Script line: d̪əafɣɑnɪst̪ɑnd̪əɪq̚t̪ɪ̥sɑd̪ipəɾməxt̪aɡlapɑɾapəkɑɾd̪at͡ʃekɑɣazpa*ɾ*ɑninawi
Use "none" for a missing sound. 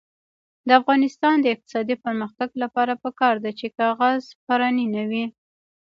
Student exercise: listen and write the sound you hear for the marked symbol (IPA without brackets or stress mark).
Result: ɾ